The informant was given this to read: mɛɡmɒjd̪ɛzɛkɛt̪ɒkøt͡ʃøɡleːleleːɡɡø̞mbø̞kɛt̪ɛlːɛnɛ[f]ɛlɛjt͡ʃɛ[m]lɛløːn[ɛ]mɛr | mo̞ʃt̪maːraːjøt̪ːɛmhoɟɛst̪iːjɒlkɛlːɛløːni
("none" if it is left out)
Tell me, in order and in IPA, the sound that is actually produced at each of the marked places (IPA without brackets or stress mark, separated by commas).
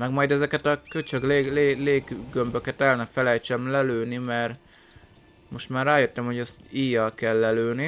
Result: f, m, i